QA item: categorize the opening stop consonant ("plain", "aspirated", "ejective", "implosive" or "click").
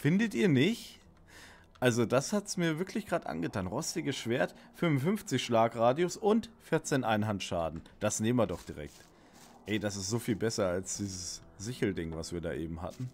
plain